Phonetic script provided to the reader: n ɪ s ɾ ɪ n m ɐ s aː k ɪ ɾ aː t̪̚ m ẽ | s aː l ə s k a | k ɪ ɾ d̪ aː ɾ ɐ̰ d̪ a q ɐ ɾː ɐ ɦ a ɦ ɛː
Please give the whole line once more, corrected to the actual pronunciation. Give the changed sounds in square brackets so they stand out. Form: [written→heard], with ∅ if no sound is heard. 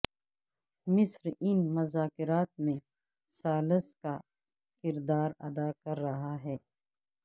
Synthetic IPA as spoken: [n→m] ɪ s ɾ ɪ n m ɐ [s→z] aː k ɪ ɾ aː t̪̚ m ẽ | s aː l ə s k a | k ɪ ɾ d̪ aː ɾ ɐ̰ d̪ a [q→k] ɐ ɾː ɐ ɦ a ɦ ɛː